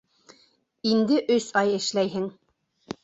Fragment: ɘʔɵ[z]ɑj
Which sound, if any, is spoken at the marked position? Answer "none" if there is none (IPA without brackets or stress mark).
s